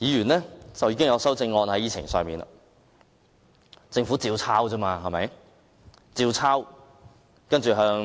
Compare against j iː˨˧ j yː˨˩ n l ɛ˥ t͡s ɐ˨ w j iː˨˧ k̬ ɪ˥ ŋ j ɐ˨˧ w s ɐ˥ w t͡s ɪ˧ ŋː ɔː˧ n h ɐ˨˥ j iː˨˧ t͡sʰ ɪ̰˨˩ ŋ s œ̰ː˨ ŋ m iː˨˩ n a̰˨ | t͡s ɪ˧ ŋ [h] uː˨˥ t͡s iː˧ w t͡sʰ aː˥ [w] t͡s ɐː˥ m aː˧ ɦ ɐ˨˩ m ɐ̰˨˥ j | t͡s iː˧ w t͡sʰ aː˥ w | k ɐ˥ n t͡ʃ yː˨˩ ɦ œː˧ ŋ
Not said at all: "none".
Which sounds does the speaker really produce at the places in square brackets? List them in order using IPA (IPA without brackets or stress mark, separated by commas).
f, w